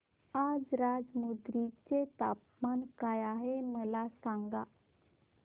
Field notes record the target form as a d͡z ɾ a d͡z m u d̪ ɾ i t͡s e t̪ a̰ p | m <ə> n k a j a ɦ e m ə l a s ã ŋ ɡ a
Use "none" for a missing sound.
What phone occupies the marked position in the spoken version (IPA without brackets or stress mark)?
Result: a